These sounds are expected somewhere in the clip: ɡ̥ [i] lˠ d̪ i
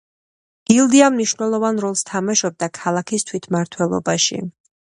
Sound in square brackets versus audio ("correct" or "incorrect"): correct